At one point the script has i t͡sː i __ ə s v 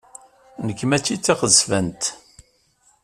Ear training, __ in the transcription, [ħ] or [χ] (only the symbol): χ